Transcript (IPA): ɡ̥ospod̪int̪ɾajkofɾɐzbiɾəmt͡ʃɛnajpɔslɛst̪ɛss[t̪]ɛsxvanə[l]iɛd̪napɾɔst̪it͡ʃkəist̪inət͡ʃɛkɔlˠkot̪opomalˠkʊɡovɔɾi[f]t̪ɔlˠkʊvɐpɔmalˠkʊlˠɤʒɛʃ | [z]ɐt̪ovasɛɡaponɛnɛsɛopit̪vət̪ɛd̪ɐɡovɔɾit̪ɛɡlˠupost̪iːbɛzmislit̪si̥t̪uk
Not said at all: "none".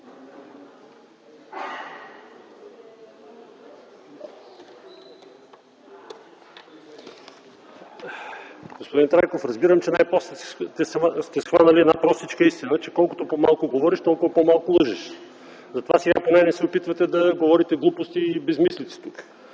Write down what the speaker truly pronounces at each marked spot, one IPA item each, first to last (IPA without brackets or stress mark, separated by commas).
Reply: t̪, l, ʃ, z